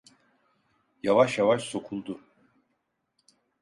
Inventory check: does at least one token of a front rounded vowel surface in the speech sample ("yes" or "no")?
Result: no